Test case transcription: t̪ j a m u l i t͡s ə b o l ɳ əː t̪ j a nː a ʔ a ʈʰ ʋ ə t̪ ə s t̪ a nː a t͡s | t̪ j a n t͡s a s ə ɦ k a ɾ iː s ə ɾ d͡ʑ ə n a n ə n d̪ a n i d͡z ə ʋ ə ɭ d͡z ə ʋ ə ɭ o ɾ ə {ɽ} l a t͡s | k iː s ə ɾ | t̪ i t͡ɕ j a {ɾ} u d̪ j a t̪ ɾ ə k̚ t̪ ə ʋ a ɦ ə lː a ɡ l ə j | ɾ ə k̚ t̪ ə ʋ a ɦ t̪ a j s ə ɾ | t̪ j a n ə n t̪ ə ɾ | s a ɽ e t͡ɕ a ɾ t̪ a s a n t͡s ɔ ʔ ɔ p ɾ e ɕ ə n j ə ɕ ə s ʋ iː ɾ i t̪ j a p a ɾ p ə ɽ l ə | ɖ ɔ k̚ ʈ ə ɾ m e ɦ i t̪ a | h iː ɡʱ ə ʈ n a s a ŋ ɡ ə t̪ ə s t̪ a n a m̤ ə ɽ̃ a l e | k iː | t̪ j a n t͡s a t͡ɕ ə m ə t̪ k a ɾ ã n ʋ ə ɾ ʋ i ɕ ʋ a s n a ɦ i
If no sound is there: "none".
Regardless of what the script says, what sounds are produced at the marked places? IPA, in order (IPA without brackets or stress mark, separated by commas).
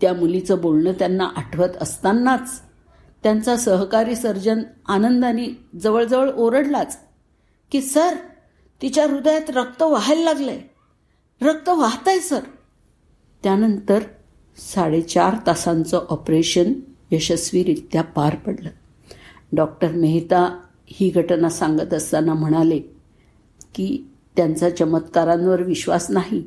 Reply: ɽ, ɾ